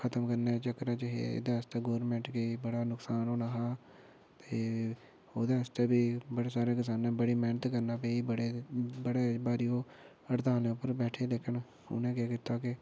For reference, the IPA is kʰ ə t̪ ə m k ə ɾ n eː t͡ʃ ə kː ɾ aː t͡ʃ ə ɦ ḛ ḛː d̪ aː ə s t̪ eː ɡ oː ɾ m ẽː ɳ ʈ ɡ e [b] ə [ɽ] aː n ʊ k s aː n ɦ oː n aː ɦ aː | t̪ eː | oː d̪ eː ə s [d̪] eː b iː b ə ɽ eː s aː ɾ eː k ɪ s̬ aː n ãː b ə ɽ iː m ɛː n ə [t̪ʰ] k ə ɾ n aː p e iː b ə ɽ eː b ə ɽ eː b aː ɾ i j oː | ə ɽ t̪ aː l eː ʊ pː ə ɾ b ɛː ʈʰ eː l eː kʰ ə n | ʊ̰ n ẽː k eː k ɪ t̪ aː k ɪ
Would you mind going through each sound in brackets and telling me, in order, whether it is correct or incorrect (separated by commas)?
correct, correct, incorrect, incorrect